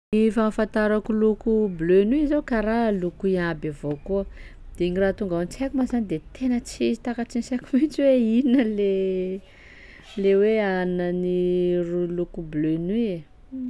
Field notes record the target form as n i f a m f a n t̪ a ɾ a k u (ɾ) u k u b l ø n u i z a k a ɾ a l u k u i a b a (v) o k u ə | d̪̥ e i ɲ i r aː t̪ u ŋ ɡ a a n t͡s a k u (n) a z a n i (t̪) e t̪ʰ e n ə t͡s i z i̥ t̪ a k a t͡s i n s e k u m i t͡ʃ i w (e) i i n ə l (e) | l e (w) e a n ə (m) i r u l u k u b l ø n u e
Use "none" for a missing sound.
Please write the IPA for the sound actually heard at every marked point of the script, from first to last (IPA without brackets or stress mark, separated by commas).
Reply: l, v, m, d̪, e, e, w, n